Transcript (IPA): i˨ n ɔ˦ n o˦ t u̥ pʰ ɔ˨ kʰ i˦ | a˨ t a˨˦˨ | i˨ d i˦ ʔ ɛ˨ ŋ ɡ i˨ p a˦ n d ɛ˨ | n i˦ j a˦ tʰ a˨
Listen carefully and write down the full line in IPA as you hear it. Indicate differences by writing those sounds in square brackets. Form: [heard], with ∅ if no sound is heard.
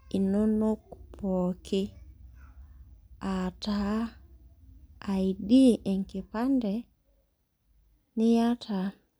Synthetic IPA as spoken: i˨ n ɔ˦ n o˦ [k] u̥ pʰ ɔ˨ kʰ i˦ | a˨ t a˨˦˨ | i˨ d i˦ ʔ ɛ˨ ŋ [k] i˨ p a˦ n d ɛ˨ | n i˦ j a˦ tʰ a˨